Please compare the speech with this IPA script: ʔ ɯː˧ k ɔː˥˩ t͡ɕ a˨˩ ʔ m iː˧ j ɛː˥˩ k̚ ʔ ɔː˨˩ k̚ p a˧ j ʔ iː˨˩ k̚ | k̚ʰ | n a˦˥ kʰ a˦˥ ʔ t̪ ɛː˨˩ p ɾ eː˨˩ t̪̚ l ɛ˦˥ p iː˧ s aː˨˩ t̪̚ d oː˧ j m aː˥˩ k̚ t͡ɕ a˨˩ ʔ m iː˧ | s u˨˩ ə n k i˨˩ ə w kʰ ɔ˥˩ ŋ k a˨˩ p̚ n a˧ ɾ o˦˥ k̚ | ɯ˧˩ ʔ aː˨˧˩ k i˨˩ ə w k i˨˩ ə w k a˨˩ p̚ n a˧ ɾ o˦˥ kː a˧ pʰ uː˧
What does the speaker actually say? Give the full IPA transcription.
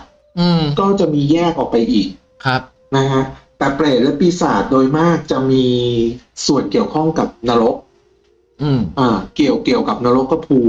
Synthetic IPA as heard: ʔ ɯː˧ k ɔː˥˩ t͡ɕ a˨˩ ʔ m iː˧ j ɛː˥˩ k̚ ʔ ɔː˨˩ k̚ p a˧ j ʔ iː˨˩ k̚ | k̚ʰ | n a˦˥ kʰ a˦˥ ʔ t̪ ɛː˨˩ p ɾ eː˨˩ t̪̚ l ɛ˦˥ p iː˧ s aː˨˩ t̪̚ d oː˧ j m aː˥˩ k̚ t͡ɕ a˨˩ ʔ m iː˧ | s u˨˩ ə n k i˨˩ ə w kʰ ɔ˥˩ ŋ k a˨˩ p̚ n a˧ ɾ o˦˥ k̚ | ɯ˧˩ ʔ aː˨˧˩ k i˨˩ ə w k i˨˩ ə w k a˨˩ p̚ n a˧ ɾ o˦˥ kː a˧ pʰ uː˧

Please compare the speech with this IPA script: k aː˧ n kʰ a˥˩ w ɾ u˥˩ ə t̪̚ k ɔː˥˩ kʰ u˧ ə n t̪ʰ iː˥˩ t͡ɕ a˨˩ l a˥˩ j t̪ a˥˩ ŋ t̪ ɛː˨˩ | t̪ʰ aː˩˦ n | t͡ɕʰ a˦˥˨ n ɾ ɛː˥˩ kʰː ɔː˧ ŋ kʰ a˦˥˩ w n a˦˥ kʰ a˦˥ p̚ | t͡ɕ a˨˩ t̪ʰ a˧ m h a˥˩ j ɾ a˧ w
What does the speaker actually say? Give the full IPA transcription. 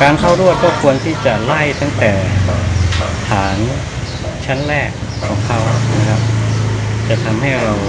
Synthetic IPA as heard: k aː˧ n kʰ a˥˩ w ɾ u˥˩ ə t̪̚ k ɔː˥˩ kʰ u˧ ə n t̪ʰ iː˥˩ t͡ɕ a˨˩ l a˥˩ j t̪ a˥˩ ŋ t̪ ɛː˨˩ | t̪ʰ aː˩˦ n | t͡ɕʰ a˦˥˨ n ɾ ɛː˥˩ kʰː ɔː˩˦ ŋ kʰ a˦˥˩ w n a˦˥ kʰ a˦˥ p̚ | t͡ɕ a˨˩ t̪ʰ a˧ m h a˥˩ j ɾ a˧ w

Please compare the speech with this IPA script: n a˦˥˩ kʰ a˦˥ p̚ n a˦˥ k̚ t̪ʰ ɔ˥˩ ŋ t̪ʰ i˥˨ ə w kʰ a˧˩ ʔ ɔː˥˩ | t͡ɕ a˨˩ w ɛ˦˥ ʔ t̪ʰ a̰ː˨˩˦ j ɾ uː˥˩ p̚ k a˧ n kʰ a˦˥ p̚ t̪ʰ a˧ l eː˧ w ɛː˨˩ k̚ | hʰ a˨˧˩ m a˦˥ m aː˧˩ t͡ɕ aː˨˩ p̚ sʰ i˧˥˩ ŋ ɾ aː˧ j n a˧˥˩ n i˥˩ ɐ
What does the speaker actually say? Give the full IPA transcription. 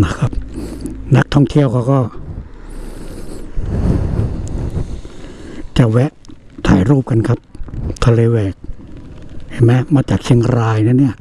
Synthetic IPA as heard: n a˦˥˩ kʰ a˦˥ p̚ n a˦˥ k̚ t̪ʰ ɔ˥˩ ŋ t̪ʰ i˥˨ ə w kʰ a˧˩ k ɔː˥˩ | t͡ɕ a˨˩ w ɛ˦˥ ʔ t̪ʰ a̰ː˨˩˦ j ɾ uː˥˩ p̚ k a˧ n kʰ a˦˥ p̚ t̪ʰ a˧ l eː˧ w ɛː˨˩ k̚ | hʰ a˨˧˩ m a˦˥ m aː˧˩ t͡ɕ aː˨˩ k̚ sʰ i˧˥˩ ŋ ɾ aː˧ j n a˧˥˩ n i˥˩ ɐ

